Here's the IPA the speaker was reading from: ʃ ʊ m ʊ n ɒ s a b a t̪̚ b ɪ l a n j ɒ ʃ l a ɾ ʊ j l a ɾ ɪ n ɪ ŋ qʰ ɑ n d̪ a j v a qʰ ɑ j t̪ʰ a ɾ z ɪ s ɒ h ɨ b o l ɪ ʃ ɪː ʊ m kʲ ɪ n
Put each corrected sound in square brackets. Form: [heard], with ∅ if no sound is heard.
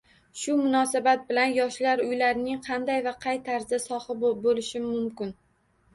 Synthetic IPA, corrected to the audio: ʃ ʊ m ʊ n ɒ s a b a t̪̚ b ɪ l a n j ɒ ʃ l a ɾ ʊ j l a ɾ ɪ n ɪ ŋ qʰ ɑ n d̪ a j v a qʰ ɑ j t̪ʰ a ɾ z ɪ s ɒ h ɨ b o l ɪ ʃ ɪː ʊ m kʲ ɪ n